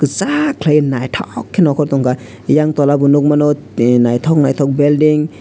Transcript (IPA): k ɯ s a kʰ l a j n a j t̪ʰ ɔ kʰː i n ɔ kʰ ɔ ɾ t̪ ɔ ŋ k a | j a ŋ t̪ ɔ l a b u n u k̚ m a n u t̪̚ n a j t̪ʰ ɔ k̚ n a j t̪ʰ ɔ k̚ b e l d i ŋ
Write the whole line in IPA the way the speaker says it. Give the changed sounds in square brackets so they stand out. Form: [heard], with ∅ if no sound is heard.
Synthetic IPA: k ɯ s a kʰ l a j n a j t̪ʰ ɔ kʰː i n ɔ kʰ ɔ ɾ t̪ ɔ ŋ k a | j a ŋ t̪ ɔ l a b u n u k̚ m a n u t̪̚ n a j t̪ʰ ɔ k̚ n a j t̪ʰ ɔ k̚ b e l d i ŋ